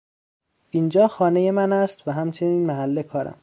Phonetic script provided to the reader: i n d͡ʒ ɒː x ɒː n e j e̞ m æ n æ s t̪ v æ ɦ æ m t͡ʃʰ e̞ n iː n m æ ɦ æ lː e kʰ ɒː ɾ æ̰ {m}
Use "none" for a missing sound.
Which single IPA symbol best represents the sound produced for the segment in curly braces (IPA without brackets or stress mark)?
m